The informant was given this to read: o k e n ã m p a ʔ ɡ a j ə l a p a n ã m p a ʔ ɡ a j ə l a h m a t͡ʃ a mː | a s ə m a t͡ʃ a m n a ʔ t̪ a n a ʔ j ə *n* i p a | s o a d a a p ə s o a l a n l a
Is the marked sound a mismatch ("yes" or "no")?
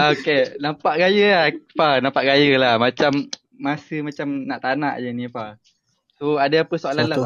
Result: no